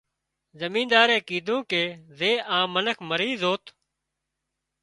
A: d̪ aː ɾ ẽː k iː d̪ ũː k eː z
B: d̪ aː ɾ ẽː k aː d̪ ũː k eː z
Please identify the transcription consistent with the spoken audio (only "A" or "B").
A